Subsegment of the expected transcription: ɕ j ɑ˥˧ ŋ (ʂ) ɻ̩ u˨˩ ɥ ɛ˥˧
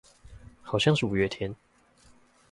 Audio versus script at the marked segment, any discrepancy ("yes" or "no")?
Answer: no